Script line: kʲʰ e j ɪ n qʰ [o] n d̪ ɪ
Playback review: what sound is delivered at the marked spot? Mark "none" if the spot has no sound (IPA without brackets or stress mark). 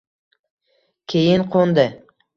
o